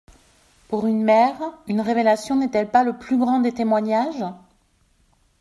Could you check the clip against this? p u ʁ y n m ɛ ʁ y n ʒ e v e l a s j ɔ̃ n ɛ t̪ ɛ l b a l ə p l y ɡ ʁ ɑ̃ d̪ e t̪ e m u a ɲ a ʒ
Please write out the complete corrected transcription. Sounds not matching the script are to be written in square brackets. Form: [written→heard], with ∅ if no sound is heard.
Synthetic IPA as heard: p u ʁ y n m ɛ ʁ y n [ʒ→ʁ] e v e l a s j ɔ̃ n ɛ t̪ ɛ l [b→p] a l ə p l y ɡ ʁ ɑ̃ d̪ e t̪ e m [u→w] a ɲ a ʒ